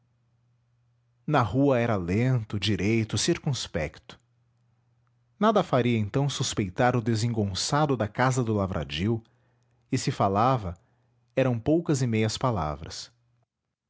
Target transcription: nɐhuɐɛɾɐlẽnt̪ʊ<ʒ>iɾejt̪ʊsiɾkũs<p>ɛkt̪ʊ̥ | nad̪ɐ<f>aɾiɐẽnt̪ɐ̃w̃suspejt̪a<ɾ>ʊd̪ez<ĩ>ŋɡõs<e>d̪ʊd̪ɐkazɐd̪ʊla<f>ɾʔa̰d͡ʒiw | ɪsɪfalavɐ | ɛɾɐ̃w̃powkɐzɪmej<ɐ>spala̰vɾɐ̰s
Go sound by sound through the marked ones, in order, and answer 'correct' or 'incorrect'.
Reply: incorrect: d͡ʒ, correct, correct, correct, incorrect: ẽ, incorrect: a, incorrect: v, correct

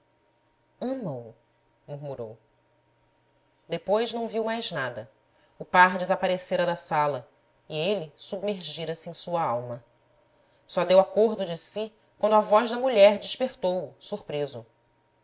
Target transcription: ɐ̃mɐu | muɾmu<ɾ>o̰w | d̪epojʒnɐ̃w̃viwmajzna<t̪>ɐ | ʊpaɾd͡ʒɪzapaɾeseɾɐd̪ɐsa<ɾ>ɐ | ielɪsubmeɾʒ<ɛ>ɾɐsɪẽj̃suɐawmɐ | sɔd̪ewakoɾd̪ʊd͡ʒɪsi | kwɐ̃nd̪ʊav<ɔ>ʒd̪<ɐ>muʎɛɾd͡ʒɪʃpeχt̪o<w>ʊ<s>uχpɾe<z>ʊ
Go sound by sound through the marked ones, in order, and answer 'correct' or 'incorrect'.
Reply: correct, incorrect: d̪, incorrect: l, incorrect: i, correct, correct, correct, correct, correct

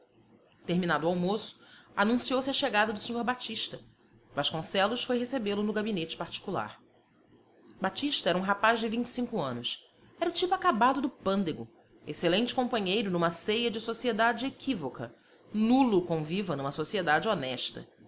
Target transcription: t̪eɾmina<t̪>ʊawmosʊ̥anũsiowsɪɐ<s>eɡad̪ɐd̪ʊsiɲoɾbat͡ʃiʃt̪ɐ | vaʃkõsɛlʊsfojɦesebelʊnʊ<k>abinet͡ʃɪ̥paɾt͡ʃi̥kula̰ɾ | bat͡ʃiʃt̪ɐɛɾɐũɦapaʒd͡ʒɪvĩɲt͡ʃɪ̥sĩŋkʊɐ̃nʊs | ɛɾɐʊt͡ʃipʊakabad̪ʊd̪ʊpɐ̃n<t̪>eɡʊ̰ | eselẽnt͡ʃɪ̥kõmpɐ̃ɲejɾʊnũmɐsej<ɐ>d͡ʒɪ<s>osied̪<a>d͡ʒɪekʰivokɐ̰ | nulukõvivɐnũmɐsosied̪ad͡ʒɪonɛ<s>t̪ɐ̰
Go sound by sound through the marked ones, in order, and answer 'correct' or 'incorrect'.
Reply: incorrect: d̪, incorrect: ʃ, incorrect: ɡ, incorrect: d̪, correct, correct, correct, incorrect: ʃ

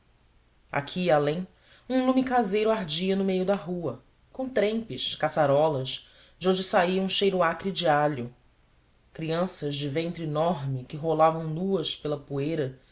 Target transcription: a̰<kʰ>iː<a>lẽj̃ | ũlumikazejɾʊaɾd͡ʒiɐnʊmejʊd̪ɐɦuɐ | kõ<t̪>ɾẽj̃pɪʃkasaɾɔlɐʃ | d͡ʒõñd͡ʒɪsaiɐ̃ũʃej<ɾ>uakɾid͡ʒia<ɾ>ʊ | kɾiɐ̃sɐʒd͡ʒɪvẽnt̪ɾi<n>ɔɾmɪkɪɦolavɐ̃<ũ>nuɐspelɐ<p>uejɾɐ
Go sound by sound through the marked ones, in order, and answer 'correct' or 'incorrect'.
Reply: correct, correct, correct, correct, incorrect: ʎ, correct, incorrect: w̃, correct

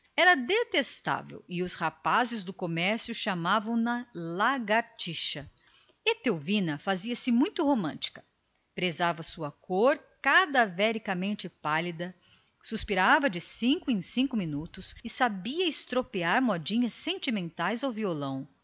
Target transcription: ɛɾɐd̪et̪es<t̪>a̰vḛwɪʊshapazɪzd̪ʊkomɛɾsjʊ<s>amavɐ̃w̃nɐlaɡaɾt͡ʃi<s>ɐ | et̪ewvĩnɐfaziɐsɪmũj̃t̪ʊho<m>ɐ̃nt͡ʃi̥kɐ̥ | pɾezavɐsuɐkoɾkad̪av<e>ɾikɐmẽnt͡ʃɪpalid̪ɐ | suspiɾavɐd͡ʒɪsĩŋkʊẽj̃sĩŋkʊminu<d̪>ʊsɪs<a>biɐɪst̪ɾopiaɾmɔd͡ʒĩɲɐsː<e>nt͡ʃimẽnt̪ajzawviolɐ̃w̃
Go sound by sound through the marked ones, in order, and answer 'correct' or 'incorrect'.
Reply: correct, incorrect: ʃ, incorrect: ʃ, correct, incorrect: ɛ, incorrect: t̪, correct, incorrect: ẽ

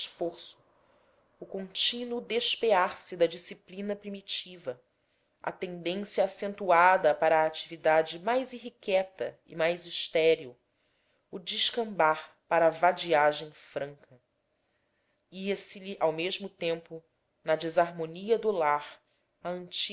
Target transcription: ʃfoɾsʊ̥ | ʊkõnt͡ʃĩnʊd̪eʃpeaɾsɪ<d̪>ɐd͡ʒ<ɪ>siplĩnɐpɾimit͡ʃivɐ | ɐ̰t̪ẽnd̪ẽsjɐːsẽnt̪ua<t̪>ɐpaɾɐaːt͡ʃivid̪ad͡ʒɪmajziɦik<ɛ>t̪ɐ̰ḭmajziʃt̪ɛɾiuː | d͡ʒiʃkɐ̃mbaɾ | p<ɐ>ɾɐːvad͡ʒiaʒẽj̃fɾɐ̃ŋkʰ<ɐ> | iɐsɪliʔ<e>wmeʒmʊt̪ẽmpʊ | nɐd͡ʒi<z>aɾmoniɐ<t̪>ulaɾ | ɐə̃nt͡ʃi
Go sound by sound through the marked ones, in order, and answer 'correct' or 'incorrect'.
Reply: correct, incorrect: i, incorrect: d̪, correct, incorrect: a, correct, incorrect: a, correct, incorrect: d̪

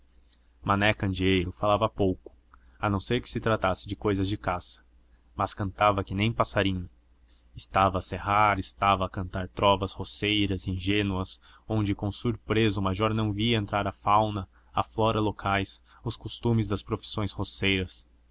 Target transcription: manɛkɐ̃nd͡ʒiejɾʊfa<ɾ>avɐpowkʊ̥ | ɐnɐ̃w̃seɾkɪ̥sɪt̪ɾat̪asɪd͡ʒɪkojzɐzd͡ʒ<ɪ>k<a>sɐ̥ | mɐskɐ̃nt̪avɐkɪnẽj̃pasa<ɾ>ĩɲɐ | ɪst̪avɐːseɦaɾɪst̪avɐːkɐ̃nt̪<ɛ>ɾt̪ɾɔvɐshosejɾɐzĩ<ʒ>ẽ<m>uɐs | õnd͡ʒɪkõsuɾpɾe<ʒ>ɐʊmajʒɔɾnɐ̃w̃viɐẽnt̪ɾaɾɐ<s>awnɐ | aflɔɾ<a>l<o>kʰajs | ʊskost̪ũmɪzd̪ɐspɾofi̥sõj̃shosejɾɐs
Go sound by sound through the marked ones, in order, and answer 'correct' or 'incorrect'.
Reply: incorrect: l, correct, correct, correct, incorrect: a, correct, incorrect: n, incorrect: z, incorrect: f, incorrect: ɐ, correct

